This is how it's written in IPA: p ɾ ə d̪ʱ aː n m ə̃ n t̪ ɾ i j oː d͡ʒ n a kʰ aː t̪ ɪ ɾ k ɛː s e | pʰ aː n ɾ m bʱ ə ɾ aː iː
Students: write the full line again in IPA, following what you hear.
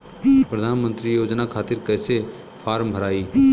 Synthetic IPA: p ɾ ə d̪ʱ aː n m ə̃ n t̪ ɾ i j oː d͡ʒ n a kʰ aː t̪ ɪ ɾ k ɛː s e | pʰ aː ɾ m bʱ ə ɾ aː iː